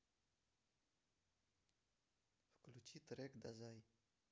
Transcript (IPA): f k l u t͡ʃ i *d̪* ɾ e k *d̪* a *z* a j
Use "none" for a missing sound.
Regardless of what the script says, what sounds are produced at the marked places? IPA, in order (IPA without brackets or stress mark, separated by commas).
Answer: t̪, d̪, z